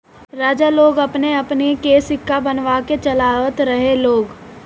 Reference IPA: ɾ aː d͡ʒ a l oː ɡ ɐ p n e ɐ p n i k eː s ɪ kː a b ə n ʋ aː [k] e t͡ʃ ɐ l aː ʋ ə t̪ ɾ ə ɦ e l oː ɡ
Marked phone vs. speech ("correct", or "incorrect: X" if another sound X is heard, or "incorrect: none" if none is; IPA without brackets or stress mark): correct